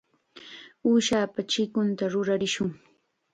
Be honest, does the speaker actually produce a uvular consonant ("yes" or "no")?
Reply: no